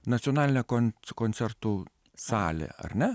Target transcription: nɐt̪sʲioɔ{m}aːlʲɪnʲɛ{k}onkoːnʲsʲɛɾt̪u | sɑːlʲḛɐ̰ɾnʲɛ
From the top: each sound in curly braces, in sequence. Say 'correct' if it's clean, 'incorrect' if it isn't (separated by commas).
incorrect, correct